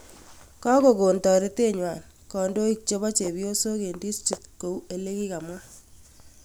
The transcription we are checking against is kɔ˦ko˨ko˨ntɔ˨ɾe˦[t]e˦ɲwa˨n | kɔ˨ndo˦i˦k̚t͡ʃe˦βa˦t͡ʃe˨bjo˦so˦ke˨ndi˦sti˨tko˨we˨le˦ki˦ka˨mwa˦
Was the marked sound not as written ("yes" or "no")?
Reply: no